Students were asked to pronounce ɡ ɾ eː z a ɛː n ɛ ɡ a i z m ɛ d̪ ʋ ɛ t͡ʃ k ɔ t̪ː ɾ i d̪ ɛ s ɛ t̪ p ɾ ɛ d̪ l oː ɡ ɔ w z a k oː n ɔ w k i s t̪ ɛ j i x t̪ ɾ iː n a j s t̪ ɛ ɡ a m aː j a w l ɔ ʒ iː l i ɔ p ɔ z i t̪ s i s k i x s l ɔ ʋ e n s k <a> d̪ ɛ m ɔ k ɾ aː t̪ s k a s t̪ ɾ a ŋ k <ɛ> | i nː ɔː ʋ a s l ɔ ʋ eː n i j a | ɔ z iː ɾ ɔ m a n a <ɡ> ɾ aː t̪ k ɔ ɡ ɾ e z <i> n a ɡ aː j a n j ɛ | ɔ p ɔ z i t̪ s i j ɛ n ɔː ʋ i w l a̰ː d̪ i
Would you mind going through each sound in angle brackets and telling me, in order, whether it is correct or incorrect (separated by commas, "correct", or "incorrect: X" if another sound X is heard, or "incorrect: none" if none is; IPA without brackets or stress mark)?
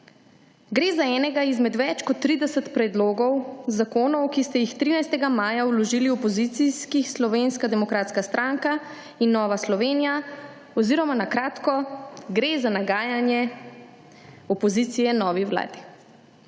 correct, incorrect: a, incorrect: k, incorrect: a